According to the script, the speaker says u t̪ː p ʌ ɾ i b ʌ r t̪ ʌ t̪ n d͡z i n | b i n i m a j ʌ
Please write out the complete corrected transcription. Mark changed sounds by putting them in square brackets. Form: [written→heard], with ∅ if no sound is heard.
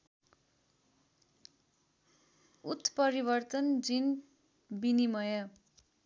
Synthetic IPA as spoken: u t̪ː p ʌ ɾ i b ʌ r t̪ ʌ [t̪→∅] n d͡z i n | b i n i m [a→ʌ] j ʌ